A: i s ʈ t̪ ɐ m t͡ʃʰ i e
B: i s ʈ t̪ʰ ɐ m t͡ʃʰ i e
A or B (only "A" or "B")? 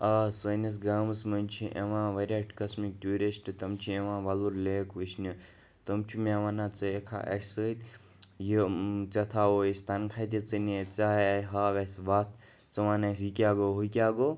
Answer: A